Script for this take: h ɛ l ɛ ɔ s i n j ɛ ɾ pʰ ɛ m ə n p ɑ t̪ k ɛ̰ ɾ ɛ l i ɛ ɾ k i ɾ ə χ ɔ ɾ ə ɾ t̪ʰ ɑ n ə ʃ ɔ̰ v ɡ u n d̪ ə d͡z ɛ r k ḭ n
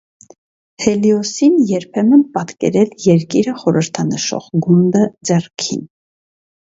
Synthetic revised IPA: h ɛ l i ɔ s i n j ɛ ɾ pʰ ɛ m ə n p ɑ t̪ k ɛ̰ ɾ ɛ l j ɛ ɾ k i ɾ ə χ ɔ ɾ ə ɾ t̪ʰ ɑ n ə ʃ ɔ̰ ʁ ɡ u n d̪ ə d͡z ɛ r kʰ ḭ n